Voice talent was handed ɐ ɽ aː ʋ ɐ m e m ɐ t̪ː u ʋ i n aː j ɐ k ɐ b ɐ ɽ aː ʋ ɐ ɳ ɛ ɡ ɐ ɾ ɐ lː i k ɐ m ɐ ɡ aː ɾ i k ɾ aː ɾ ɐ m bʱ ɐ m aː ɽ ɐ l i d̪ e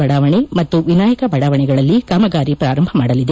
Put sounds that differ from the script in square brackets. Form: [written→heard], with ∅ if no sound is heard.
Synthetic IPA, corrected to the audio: ɐ ɽ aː ʋ ɐ [m→ɳ] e m ɐ t̪ː u ʋ i n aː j ɐ k ɐ b ɐ ɽ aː ʋ ɐ ɳ ɛ ɡ ɐ [ɾ→ɭ] ɐ lː i k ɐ m ɐ ɡ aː ɾ i [k→p] ɾ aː ɾ ɐ m bʱ ɐ m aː ɽ ɐ l i d̪ e